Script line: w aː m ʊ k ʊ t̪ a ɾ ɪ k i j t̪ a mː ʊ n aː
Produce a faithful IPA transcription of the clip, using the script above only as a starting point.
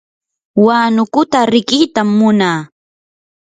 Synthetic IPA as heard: w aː n ʊ k ʊ t̪ a ɾ ɪ k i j t̪ a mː ʊ n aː